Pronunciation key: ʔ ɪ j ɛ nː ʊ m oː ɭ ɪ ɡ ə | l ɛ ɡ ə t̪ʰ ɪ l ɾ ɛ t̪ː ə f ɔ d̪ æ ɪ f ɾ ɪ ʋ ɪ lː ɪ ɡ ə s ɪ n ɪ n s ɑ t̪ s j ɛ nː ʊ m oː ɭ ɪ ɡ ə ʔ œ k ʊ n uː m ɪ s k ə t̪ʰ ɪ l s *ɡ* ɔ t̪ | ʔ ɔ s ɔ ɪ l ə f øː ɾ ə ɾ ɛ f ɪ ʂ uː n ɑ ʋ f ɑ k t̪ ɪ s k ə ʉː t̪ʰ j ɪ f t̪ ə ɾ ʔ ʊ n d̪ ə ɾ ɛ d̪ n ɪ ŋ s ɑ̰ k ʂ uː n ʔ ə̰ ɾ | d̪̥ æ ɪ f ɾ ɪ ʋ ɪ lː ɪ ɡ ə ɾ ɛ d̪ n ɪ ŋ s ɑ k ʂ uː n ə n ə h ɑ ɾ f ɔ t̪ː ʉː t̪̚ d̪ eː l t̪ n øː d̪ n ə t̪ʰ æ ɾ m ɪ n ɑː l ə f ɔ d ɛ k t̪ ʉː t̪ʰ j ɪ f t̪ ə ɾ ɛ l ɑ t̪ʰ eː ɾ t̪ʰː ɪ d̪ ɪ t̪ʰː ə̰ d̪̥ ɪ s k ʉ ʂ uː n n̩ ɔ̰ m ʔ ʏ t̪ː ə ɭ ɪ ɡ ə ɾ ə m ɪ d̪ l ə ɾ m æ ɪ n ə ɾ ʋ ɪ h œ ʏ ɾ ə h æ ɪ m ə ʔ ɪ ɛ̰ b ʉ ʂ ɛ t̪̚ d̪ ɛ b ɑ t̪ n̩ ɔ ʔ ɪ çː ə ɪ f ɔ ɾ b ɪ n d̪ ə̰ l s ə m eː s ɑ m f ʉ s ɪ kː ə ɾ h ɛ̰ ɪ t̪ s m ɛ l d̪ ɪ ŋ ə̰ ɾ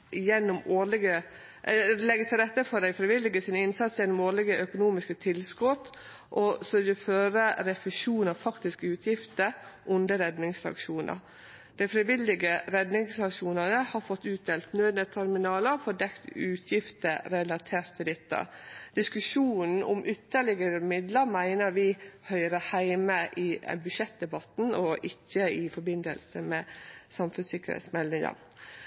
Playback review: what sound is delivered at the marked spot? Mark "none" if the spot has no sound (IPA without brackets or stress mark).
k